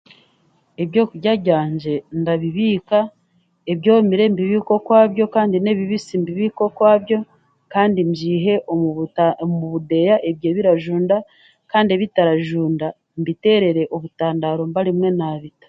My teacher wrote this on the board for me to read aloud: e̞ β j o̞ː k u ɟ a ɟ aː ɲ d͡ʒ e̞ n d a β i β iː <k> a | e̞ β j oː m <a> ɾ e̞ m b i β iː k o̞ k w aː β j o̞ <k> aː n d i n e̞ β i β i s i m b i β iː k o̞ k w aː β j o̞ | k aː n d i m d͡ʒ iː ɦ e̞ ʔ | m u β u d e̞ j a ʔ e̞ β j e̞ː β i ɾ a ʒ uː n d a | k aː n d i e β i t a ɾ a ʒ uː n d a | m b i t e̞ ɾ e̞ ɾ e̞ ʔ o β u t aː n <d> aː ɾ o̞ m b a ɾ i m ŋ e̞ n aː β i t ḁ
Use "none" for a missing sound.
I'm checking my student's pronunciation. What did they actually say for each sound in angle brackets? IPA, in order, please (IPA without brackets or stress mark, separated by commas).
k, i, k, d